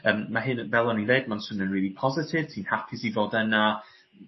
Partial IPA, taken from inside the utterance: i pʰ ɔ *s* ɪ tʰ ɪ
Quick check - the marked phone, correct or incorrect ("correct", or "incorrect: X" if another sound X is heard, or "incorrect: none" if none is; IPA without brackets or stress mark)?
incorrect: z